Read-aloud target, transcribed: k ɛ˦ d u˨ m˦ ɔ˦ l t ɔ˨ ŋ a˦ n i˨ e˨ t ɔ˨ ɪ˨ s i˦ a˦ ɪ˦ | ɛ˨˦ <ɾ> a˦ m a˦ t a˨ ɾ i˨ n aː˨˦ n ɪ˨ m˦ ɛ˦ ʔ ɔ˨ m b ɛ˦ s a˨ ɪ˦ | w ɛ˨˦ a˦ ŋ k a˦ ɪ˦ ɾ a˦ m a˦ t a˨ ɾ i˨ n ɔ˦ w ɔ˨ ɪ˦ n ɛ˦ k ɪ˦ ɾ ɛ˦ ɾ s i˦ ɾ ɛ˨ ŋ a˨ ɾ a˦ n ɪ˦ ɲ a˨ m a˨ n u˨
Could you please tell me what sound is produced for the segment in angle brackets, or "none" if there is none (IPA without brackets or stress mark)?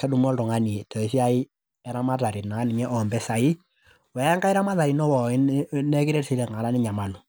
ɾ